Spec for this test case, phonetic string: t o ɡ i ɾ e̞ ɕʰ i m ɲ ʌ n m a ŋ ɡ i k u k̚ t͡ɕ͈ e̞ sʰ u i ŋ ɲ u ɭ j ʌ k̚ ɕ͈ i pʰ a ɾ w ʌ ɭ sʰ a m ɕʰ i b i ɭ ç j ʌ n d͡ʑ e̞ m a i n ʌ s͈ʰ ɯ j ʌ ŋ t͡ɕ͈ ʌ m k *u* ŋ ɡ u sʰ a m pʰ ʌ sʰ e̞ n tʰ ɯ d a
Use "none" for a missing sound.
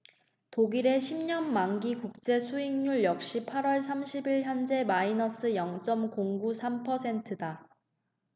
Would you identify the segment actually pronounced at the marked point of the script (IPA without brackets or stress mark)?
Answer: o